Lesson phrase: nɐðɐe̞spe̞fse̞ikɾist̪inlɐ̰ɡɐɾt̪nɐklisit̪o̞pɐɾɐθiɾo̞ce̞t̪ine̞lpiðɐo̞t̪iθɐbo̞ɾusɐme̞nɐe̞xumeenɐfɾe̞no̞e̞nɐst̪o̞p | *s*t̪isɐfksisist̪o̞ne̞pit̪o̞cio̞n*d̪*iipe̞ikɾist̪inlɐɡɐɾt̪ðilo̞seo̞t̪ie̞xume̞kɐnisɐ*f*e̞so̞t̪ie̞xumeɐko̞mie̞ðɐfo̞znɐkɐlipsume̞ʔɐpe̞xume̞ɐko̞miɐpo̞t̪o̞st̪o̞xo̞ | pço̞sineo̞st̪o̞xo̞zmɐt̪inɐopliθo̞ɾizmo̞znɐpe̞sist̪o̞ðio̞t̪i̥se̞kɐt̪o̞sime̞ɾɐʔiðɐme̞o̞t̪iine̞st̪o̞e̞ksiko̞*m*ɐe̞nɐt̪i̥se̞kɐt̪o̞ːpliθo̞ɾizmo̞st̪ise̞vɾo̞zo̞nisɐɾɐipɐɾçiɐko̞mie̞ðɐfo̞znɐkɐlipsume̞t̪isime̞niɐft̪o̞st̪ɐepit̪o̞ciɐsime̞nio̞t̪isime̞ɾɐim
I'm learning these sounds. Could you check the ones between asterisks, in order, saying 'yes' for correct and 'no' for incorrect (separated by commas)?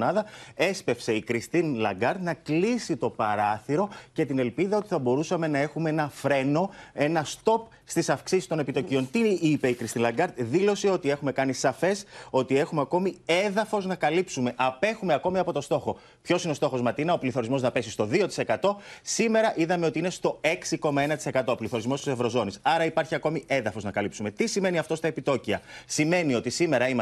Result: yes, no, yes, yes